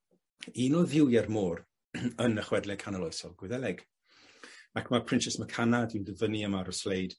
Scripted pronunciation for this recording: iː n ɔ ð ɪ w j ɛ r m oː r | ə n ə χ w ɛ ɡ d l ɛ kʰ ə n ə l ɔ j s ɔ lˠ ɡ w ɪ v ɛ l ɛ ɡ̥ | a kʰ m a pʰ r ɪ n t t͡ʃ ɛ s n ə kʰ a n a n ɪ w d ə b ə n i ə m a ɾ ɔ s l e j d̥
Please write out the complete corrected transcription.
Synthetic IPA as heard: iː n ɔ ð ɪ w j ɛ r m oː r | ə n ə χ w ɛ d l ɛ kʰ a n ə l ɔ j s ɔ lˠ ɡ w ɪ ð ɛ l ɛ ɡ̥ | a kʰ m a pʰ r ɪ n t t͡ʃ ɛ s m ə kʰ a n a d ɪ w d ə v ə n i ə m a ɾ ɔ s l e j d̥

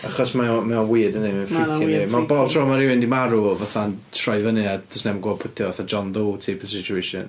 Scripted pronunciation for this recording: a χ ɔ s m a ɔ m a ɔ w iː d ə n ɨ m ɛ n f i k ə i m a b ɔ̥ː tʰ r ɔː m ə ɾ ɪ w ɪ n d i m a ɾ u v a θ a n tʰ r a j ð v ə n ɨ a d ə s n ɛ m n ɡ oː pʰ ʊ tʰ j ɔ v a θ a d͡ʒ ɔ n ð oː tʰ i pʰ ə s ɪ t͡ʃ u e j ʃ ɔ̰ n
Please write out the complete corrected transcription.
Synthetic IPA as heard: a χ ɔ s m a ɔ m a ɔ w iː d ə n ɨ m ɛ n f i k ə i m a b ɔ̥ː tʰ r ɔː m a ɾ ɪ w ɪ n d i m a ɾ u v a θ a n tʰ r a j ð v ə n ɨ a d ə s n ɛ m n ɡ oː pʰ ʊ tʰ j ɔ v a θ a d͡ʒ ɔ n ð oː tʰ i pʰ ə s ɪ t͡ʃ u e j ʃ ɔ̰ n

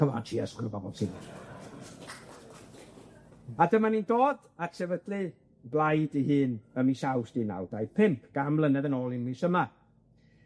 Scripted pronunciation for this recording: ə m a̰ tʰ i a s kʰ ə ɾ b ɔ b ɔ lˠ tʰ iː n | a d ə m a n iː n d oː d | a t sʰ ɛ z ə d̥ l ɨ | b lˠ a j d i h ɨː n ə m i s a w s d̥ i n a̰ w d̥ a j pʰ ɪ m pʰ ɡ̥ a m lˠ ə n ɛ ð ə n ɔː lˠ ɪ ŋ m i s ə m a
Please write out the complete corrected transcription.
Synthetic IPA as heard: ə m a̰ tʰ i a s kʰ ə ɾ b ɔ b ɔ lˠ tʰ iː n | a d ə m a n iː n d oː d | a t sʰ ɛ v ə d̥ l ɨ | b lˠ a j d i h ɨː n ə m i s a w s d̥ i n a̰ w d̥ a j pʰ ɪ m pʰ ɡ̥ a m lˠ ə n ɛ ð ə n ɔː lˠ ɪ n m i s ə m a

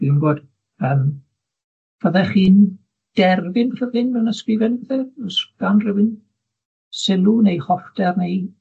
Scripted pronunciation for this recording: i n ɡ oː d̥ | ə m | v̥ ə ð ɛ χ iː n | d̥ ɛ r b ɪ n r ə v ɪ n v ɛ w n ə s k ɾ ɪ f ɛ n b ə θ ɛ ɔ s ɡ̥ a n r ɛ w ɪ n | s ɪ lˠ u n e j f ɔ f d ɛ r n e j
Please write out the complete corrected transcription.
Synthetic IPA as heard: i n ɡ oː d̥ | ə m | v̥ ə ð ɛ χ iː n | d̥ ɛ r v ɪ n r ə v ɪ n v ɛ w n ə s k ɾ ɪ v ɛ n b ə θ ɛ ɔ s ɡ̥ a n r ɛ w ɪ n | s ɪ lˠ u n e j χ ɔ f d ɛ r n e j

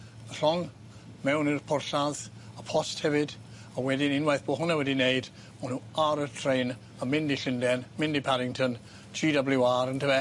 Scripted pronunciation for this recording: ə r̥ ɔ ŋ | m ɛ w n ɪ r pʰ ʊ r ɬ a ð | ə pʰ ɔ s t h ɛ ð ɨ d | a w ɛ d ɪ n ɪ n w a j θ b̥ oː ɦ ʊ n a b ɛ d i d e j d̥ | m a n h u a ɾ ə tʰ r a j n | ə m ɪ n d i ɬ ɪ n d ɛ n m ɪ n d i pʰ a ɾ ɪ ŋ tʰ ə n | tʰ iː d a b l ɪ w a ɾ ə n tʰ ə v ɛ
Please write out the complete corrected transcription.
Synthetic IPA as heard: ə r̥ ɔ ŋ | m ɛ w n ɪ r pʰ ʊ r ɬ a ð | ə pʰ ɔ s t h ɛ v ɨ d | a w ɛ d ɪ n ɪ n w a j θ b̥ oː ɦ ʊ n a w ɛ d i n e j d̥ | m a n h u a ɾ ə tʰ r e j n | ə m ɪ n d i ɬ ɪ n d ɛ n m ɪ n d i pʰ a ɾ ɪ ŋ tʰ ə n | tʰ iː d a b l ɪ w a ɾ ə n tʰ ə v ɛ

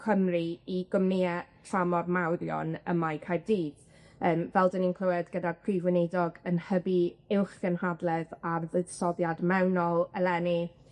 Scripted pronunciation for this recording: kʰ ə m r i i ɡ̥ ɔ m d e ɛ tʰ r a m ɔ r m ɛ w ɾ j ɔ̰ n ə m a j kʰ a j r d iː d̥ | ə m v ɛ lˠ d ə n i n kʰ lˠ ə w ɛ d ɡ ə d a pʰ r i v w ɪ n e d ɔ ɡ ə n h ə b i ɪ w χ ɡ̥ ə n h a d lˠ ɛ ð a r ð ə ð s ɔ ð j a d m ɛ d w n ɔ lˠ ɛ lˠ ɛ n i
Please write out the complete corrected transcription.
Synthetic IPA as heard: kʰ ə m r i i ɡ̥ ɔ m n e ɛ tʰ r a m ɔ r m a w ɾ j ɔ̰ n ə m a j kʰ a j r d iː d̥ | əː m v ɛ lˠ d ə n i n kʰ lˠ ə w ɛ d ɡ ə d a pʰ r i v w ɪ n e d ɔ ɡ ə n h ə b i ɪ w χ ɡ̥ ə n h a d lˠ ɛ ð a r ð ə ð s ɔ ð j a d m ɛ w n ɔ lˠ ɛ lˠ ɛ n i

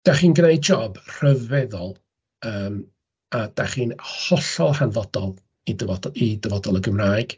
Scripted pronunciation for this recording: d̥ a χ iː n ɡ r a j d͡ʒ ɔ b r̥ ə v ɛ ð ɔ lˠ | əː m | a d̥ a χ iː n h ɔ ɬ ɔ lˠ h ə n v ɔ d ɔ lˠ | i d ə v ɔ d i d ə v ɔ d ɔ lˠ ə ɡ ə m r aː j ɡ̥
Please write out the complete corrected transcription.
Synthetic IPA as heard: d̥ a χ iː n ɡ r e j d͡ʒ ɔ b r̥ ə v ɛ ð ɔ lˠ | əː m | a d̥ a χ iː n h ɔ ɬ ɔ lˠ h a n v ɔ d ɔ lˠ | i d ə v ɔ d i d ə v ɔ d ɔ lˠ ə ɡ ə m r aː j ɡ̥

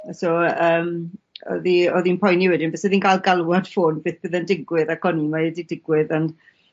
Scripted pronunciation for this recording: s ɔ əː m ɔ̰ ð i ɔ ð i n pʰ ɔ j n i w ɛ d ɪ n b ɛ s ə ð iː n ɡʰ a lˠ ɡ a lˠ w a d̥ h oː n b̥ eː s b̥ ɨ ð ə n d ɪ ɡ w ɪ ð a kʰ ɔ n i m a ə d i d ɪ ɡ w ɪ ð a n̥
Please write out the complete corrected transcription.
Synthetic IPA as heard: s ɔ əː m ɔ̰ ð i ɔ ð i n pʰ ɔ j n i w ɛ d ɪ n b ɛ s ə ð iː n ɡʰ a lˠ ɡ a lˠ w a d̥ f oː n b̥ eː θ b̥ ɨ ð ə n d ɪ ɡ w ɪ ð a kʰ ɔ n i m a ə d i d ɪ ɡ w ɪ ð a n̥

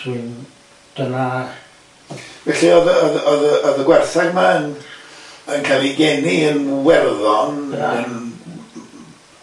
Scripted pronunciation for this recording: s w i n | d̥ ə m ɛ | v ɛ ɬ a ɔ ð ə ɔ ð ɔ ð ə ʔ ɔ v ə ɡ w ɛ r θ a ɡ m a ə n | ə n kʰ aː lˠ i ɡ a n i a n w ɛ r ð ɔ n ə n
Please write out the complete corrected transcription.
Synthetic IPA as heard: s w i n | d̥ ə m a | v ɛ ɬ i ɔ ð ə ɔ ð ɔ ð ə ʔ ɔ ð ə ɡ w ɛ r θ a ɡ m a ə n | ə n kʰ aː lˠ i ɡ ɛ n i ə n w ɛ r ð ɔ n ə n

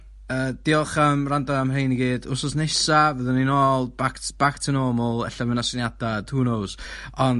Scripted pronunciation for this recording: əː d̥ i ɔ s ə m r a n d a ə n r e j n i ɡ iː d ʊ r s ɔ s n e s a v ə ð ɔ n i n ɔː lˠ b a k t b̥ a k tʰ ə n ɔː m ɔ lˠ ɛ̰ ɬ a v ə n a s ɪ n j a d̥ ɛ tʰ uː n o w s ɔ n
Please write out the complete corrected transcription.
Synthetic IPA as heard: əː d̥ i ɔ χ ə m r a n d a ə m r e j n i ɡ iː d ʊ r s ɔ s n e s a v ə ð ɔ n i n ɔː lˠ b a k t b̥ a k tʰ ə n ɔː m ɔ lˠ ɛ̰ ɬ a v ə n a s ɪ n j a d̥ a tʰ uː n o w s ɔ n

